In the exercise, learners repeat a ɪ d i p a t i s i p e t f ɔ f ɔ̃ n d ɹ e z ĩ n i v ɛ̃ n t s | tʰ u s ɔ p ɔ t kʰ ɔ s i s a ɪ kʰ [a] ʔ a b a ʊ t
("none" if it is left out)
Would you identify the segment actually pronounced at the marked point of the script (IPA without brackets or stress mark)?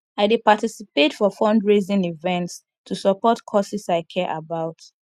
ɛ